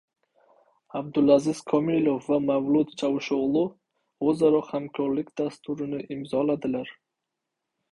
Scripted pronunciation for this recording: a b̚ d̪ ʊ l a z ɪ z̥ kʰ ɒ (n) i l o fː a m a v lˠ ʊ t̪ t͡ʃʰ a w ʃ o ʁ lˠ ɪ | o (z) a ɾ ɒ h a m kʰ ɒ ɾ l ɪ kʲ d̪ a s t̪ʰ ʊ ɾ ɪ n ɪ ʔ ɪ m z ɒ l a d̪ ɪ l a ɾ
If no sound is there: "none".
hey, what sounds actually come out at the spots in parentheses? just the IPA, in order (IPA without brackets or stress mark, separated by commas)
m, z